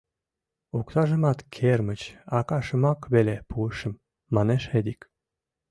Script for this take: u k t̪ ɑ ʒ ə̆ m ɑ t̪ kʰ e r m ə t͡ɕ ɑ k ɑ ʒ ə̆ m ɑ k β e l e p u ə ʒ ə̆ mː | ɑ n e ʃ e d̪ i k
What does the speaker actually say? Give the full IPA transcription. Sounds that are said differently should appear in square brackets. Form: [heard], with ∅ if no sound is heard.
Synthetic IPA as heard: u k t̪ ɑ ʒ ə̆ m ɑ t̪ kʰ e r m ə t͡ɕ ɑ k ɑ [ʃ] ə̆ m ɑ k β e l e p u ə [ʃ] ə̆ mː | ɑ n e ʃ e d̪ i k

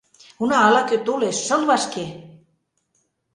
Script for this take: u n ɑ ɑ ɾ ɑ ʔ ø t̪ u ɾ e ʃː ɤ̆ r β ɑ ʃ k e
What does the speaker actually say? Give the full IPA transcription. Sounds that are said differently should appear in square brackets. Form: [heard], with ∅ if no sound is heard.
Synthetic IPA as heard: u n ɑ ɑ [l] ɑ [k] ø t̪ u [l] e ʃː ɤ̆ [l] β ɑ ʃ k e

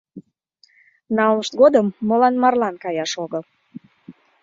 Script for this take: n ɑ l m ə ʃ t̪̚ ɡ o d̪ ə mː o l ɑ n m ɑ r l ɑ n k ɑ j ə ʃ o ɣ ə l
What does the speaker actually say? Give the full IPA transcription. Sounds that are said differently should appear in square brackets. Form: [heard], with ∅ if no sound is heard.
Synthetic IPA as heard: n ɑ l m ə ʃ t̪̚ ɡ o d̪ ə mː o l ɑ n m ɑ r l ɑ n k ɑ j [ɑ] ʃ o ɣ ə l

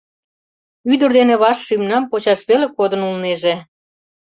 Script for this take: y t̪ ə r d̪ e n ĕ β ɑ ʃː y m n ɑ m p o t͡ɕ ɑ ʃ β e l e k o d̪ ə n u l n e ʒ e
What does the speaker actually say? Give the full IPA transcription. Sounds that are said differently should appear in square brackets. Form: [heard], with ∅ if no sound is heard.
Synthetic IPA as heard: y [d̪] ə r d̪ e n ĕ β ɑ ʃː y m n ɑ m p o t͡ɕ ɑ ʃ β e l e k o d̪ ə n u l n e ʒ e

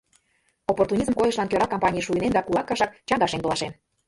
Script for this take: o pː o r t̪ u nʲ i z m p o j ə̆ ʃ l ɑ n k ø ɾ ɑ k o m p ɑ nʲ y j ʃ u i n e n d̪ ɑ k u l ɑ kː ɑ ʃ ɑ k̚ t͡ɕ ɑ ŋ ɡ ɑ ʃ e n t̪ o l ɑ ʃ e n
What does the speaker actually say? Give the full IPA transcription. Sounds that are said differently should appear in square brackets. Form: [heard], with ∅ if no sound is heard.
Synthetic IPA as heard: o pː o r t̪ u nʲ i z m [k] o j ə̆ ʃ l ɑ n k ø ɾ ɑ k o m p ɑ nʲ [i] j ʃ u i n e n d̪ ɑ k u l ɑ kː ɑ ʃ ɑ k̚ t͡ɕ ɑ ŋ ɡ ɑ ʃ e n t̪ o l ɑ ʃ e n

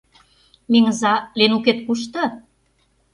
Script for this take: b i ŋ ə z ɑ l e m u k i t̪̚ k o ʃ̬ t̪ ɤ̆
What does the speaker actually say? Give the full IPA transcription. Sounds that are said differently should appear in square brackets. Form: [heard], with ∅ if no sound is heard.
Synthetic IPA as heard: [m] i ŋ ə z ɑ l e [n] u k [e] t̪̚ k [u] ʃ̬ t̪ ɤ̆

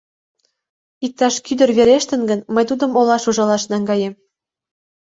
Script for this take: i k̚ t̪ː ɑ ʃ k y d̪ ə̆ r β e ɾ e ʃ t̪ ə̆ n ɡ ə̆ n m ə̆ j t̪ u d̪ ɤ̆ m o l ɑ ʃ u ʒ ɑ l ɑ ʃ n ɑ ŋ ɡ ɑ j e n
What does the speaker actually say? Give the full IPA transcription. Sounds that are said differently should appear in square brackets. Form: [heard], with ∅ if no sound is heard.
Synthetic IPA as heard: i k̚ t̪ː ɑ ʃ k y d̪ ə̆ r β e ɾ e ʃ t̪ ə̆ n ɡ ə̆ n m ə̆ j t̪ u d̪ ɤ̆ m o l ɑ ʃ u ʒ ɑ l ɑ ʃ n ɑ ŋ ɡ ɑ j e [m]

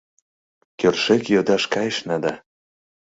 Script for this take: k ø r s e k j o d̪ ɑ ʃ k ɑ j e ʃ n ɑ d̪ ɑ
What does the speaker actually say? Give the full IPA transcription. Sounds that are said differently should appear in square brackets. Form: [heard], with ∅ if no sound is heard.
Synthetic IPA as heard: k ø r [ʃ] e k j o d̪ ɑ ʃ k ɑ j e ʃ n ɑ d̪ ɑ

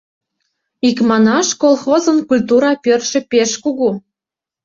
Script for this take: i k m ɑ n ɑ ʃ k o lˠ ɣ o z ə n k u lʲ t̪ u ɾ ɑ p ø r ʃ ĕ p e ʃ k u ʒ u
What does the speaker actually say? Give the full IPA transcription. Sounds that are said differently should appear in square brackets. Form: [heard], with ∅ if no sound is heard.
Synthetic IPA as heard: i k m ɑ n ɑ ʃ k o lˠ [x] o z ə n k u lʲ t̪ u ɾ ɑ p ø r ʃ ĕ p e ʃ k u [ɣ] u

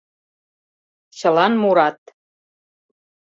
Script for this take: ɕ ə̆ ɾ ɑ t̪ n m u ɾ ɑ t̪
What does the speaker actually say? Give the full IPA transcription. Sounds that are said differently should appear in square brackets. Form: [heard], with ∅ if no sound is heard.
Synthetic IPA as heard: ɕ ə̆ [l] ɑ [∅] n m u ɾ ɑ t̪

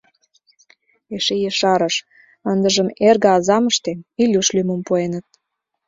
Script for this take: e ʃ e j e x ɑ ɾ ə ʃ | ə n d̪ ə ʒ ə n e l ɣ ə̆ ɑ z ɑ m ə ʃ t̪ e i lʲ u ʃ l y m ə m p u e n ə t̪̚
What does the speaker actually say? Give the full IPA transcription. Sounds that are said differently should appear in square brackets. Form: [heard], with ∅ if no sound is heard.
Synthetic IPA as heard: e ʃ e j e [ʃ] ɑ ɾ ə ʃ | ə n d̪ ə ʒ ə [m] e [r] ɣ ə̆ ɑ z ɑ m ə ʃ t̪ e i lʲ u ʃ l y m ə m p u e n ə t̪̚

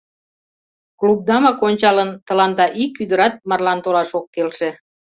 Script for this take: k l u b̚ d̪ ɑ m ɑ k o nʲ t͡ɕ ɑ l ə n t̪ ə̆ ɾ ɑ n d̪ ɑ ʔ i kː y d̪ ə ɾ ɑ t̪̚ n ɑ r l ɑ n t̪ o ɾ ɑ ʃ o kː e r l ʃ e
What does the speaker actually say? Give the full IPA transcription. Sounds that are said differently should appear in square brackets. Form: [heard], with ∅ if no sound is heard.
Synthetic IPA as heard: k l u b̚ d̪ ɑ m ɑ k o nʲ t͡ɕ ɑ l ə n t̪ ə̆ [l] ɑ n d̪ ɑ ʔ i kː y d̪ ə ɾ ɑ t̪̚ [m] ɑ r l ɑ n t̪ o [l] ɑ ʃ o kː e [∅] l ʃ e

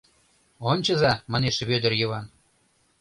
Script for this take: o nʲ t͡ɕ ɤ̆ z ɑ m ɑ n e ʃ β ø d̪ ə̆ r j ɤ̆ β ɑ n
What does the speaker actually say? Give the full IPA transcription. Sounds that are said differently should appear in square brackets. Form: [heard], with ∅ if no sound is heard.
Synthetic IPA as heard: o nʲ t͡ɕ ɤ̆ z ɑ m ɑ n e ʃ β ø d̪ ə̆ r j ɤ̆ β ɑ n

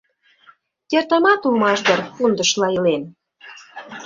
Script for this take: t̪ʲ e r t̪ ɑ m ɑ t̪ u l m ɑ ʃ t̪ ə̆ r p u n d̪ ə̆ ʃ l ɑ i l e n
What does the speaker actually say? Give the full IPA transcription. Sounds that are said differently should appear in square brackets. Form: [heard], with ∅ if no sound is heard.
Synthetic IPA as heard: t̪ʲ e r t̪ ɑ m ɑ t̪ u l m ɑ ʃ [d̪] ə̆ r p u n d̪ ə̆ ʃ l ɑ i l e n

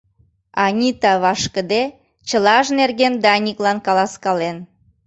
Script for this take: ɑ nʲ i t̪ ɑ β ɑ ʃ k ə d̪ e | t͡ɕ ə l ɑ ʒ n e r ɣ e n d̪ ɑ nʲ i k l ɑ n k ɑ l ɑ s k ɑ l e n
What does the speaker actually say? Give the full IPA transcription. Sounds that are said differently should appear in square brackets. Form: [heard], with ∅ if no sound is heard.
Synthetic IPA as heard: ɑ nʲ i t̪ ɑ β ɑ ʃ k ə d̪ e | t͡ɕ ə l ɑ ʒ n e r ɣ e n d̪ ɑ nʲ i k l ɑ n k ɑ l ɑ s k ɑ l e n

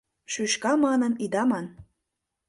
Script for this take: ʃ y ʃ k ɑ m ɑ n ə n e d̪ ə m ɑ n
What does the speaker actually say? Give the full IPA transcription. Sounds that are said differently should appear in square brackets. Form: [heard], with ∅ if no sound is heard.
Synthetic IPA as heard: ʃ y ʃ k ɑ m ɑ n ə n [i] d̪ [ɑ] m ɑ n

